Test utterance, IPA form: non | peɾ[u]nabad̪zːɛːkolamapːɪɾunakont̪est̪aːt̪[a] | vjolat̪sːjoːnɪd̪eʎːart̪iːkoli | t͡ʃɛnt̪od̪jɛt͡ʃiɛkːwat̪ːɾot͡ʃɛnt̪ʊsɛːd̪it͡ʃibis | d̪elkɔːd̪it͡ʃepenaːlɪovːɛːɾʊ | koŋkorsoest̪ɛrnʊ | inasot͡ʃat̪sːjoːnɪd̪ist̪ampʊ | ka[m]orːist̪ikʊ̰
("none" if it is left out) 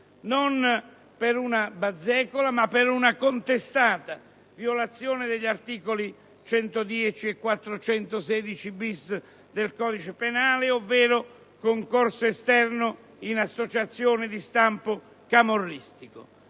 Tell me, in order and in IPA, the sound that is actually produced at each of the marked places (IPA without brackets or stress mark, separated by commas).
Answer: u, a, m